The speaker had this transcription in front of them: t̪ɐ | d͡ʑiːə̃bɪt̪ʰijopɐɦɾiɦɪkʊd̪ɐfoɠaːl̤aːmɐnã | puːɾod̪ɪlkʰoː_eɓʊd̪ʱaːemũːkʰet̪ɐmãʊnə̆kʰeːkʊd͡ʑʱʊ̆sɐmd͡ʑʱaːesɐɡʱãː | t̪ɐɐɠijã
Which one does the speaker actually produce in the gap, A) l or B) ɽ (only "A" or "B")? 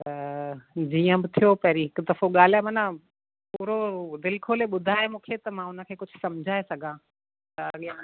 A